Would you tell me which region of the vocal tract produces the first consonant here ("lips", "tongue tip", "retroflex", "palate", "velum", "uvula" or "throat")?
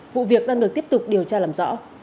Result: lips